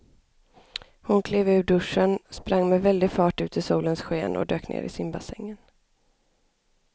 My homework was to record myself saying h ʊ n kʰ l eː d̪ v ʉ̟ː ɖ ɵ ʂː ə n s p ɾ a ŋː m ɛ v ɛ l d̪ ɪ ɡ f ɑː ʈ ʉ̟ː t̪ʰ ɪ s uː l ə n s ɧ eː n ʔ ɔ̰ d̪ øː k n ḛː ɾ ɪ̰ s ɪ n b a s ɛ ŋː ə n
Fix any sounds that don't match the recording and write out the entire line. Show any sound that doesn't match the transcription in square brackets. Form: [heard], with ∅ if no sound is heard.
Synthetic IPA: h ʊ n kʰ l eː [∅] v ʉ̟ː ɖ ɵ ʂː ə n s p ɾ a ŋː m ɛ v ɛ l d̪ ɪ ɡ f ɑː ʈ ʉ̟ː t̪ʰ ɪ s uː l ə n s ɧ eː n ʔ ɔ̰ d̪ øː k n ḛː ɾ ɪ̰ s ɪ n b a s ɛ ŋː ə n